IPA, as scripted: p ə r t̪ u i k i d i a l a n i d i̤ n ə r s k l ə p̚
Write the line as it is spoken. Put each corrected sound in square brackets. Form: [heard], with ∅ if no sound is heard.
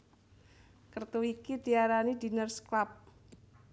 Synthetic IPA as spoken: [k] ə r t̪ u i k i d i a [ɾ] a n i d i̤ n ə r s k l [a] p̚